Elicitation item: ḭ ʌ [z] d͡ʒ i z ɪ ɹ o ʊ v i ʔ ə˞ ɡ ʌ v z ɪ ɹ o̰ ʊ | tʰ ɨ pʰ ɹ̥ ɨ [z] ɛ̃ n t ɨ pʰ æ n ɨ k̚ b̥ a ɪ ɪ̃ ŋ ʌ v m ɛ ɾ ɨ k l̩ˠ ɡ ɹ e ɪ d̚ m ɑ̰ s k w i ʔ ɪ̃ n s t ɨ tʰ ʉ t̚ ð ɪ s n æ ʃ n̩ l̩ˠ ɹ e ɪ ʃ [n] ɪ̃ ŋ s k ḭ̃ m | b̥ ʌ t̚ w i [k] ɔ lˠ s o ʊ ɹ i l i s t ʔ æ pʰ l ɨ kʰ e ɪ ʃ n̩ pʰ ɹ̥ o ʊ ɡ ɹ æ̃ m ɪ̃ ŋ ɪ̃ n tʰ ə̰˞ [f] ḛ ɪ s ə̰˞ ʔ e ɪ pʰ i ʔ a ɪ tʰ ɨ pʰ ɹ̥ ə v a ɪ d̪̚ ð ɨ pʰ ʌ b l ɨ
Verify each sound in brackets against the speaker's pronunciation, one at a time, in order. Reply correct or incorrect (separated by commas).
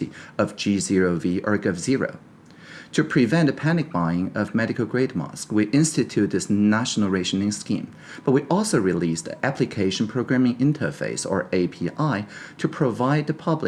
incorrect, incorrect, correct, incorrect, correct